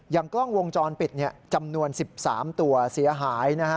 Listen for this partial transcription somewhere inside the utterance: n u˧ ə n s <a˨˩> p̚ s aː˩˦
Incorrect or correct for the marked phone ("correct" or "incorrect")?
incorrect